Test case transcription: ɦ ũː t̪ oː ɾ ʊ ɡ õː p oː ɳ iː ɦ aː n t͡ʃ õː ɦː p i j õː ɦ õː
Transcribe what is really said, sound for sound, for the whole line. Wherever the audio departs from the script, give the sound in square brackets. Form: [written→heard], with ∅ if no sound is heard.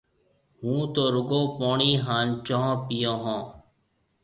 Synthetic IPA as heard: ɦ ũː t̪ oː ɾ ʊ ɡ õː p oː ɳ iː ɦ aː n t͡ʃ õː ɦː p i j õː ɦ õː